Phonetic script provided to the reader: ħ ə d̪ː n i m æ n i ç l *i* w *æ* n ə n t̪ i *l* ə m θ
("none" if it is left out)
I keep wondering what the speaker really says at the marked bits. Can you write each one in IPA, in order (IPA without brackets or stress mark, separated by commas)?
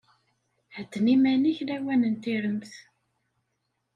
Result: æ, æ, ɾ